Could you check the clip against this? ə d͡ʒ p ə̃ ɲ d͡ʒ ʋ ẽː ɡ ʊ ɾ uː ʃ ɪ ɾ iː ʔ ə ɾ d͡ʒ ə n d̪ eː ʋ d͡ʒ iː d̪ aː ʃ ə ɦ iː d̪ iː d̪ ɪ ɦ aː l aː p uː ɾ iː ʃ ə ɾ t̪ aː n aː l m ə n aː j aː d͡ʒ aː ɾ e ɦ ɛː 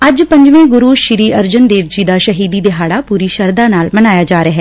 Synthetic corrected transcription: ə d͡ʒ p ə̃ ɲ d͡ʒ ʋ ẽː ɡ ʊ ɾ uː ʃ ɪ ɾ iː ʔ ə ɾ d͡ʒ ə n d̪ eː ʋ d͡ʒ iː d̪ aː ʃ ə ɦ iː d̪ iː d̪ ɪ ɦ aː ɽ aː p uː ɾ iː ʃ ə ɾ d̪ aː n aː l m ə n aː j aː d͡ʒ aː ɾ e ɦ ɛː

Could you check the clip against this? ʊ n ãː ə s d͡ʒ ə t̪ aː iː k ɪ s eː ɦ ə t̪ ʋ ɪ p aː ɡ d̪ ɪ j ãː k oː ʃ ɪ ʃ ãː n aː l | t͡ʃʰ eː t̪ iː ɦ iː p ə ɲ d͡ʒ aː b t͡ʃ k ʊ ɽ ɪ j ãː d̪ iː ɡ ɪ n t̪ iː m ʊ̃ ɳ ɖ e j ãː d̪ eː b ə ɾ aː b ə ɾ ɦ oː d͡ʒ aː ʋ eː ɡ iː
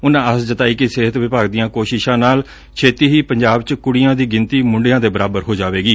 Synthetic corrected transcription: ʊ n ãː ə s d͡ʒ ə t̪ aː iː k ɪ s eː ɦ ə t̪ ʋ ɪ p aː ɡ d̪ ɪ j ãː k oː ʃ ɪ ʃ ãː n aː l | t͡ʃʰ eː t̪ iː ɦ iː p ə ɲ d͡ʒ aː b t͡ʃ k ʊ ɽ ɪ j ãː d̪ iː ɡ ɪ n t̪ iː m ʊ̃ ɳ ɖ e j ãː d̪ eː b ə ɾ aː b ə ɾ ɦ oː d͡ʒ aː ʋ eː ɡ iː

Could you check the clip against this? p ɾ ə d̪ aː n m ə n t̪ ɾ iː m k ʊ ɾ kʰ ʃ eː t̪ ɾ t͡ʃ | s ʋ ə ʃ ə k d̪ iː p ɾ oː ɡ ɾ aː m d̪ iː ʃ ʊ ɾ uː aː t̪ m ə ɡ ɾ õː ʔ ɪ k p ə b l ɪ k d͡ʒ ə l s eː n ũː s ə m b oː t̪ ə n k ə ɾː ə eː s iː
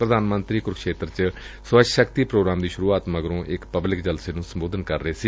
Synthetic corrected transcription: p ɾ ə d̪ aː n m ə n t̪ ɾ iː k ʊ ɾ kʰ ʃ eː t̪ ɾ t͡ʃ | s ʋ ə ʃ ə k t̪ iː p ɾ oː ɡ ɾ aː m d̪ iː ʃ ʊ ɾ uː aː t̪ m ə ɡ ɾ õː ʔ ɪ k p ə b l ɪ k d͡ʒ ə l s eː n ũː s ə m b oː d̪ ə n k ə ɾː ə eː s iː

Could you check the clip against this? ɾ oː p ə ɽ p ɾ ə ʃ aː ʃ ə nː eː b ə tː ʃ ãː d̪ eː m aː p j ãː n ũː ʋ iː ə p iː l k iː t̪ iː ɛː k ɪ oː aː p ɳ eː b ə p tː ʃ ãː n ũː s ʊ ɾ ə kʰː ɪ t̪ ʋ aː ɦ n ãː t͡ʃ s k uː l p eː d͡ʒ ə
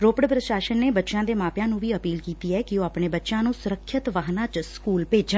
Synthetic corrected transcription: ɾ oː p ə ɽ p ɾ ə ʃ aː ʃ ə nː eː b ə tː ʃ ãː d̪ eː m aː p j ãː n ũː ʋ iː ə p iː l k iː t̪ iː ɛː k ɪ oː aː p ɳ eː b ə tː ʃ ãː n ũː s ʊ ɾ ə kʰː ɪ t̪ ʋ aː ɦ n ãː t͡ʃ s k uː l p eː d͡ʒ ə

